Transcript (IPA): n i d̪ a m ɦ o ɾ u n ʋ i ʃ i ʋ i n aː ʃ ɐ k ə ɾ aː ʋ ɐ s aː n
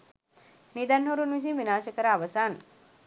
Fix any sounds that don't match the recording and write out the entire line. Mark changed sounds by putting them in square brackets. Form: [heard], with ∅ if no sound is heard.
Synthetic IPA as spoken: n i d̪ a [n] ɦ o ɾ u n ʋ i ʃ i ʋ i n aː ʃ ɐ k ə ɾ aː ʋ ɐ s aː n